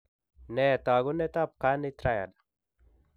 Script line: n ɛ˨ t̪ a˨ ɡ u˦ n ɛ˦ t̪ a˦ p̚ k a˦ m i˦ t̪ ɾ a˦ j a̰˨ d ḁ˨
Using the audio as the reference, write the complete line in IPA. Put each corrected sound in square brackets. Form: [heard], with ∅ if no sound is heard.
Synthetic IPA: n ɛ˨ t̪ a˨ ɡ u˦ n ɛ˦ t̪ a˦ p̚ k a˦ [n] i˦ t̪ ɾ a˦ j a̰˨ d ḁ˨